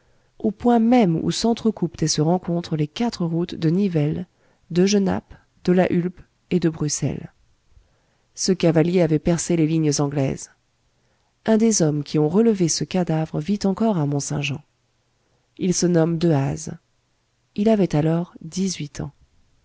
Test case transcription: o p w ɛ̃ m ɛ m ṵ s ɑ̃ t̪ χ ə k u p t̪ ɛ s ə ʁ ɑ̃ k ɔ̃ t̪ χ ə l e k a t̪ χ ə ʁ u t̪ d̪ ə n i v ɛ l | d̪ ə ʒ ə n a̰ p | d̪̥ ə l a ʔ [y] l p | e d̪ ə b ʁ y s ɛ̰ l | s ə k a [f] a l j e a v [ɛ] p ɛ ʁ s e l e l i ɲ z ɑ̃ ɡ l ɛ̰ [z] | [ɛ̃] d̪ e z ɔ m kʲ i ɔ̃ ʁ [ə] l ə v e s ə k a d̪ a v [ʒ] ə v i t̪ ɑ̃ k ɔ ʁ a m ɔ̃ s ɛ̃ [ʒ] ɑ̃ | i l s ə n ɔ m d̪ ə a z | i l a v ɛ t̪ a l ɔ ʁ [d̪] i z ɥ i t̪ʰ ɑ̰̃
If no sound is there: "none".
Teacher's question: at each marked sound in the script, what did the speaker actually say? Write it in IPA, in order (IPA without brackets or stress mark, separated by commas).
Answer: y, v, ɛ, z, ɛ̃, ə, ʁ, ʒ, d̪